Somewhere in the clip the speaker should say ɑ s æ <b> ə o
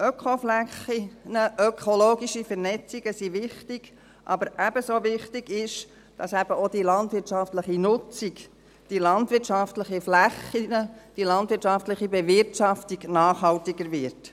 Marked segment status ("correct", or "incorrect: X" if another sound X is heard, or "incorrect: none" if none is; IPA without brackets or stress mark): correct